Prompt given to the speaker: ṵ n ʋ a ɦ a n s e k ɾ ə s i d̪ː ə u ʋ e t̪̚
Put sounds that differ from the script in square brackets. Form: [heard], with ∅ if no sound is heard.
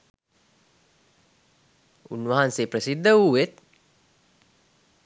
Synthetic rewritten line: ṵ n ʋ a ɦ a n s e [p] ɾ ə s i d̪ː ə u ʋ e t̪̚